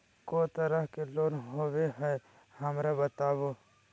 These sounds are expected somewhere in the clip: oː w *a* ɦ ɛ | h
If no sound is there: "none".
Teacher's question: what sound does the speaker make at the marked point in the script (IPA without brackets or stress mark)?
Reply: e